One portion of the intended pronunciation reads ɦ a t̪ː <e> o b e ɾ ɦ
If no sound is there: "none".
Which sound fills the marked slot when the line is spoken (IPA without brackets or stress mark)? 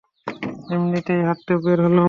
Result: e